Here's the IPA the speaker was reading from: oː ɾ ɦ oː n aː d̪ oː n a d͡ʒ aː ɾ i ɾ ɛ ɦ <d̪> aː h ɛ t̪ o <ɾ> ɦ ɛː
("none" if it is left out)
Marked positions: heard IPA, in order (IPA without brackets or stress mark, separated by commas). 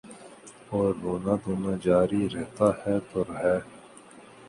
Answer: t̪, ɾ